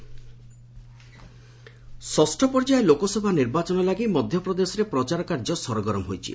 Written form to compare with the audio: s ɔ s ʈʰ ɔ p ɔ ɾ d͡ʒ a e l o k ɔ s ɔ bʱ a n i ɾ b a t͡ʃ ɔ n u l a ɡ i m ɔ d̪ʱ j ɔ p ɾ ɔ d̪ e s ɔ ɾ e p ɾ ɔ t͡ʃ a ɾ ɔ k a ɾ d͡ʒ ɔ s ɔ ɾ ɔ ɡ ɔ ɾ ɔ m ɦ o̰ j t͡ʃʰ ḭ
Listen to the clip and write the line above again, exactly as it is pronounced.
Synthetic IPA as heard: s ɔ s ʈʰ ɔ p ɔ ɾ d͡ʒ a e l o k ɔ s ɔ bʱ a n i ɾ b a t͡ʃ ɔ n ɔ l a ɡ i m ɔ d̪ʱ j ɔ p ɾ ɔ d̪ e s ɔ ɾ e p ɾ ɔ t͡ʃ a ɾ ɔ k a ɾ d͡ʒ ɔ s ɔ ɾ ɔ ɡ ɔ ɾ ɔ m ɦ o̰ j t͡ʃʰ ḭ